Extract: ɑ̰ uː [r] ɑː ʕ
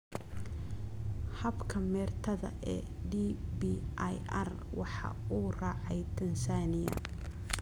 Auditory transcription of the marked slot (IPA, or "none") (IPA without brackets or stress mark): r